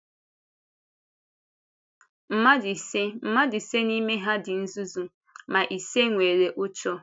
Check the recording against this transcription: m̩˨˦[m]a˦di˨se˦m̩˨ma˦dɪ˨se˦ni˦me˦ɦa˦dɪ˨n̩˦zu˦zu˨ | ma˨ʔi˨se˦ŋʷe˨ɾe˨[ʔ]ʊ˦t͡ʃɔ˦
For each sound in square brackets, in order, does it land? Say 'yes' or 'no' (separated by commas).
yes, yes